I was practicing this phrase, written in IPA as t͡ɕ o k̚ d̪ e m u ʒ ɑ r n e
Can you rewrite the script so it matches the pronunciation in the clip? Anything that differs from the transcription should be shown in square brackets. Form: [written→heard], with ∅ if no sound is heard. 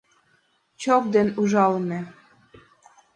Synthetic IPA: t͡ɕ o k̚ d̪ e [m→n] u ʒ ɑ [r→l] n e